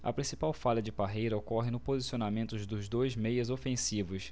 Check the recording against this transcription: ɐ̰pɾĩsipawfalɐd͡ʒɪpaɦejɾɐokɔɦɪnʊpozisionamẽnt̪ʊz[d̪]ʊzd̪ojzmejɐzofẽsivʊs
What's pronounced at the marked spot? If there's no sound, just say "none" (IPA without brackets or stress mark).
d̪